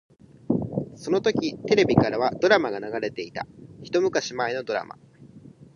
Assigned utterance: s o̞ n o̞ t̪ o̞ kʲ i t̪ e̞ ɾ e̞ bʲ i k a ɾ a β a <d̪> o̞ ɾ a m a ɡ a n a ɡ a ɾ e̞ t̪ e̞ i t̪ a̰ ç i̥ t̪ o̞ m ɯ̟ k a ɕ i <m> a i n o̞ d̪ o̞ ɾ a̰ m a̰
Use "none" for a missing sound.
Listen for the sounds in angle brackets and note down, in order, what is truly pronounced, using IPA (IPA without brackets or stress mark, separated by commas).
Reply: d̪, m